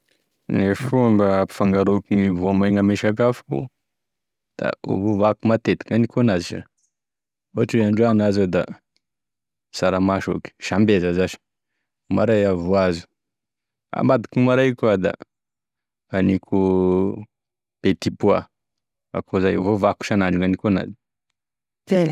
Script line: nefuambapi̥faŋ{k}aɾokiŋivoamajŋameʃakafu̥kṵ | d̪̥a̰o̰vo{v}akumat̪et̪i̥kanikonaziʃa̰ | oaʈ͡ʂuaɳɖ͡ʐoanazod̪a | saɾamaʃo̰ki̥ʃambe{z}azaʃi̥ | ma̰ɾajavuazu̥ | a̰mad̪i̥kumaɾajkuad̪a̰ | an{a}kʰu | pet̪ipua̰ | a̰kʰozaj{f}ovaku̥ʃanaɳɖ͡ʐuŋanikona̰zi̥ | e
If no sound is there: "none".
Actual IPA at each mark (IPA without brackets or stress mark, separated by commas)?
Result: ɡ, v, z, i, v